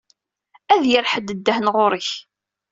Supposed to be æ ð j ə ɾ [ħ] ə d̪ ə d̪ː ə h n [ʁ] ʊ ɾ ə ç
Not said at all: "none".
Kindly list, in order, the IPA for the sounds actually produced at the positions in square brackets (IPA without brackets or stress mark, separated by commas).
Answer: ħ, ʁ